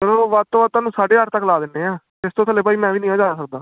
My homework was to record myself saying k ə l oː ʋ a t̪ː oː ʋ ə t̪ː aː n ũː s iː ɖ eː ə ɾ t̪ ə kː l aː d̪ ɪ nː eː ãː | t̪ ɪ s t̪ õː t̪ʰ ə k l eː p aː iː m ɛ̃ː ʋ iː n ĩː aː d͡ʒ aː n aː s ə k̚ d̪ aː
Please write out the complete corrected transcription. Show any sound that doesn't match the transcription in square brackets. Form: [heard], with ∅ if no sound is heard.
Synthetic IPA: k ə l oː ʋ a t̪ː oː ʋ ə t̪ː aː n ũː s [aː] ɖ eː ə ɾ t̪ ə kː l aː d̪ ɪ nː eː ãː | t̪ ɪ s t̪ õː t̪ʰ ə [∅] l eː p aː iː m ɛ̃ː ʋ iː n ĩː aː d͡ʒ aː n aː s ə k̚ d̪ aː